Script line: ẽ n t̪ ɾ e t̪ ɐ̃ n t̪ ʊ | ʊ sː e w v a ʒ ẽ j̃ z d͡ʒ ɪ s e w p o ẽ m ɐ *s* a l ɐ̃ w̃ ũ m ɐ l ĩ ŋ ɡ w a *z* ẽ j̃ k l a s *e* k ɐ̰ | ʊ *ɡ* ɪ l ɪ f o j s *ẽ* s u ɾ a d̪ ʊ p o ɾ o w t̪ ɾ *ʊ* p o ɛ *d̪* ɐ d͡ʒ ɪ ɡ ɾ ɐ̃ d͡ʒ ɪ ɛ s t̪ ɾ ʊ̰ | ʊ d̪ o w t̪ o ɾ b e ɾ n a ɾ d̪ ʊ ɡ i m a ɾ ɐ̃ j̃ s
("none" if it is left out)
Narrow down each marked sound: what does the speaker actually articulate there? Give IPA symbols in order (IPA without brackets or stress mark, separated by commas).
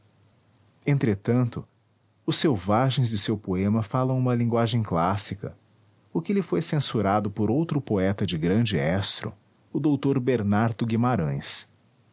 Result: f, ʒ, i, k, ẽ, ʊ, t̪